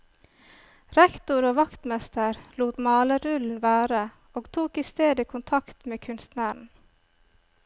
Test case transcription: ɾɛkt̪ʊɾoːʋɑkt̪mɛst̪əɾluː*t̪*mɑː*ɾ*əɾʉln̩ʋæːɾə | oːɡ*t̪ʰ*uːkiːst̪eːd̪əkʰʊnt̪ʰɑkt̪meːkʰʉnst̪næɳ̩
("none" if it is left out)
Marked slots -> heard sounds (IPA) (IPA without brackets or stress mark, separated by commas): t̪, l, t̪ʰ